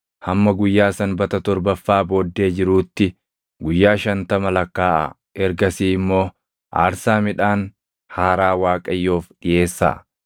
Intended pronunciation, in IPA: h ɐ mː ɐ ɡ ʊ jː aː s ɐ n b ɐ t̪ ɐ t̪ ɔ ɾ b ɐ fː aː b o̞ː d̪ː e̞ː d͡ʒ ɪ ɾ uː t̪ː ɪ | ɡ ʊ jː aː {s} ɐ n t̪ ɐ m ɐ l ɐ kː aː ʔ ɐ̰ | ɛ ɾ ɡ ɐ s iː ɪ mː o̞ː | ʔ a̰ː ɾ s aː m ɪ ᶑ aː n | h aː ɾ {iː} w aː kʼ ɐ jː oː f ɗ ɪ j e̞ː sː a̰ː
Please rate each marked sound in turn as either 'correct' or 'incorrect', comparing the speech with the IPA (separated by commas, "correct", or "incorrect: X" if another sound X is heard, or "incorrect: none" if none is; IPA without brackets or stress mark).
incorrect: ʃ, incorrect: aː